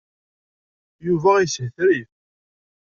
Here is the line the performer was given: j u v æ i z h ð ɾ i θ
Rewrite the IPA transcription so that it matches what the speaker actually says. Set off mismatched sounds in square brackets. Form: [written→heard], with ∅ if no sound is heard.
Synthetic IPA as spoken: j u v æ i [z→s] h [ð→θ] ɾ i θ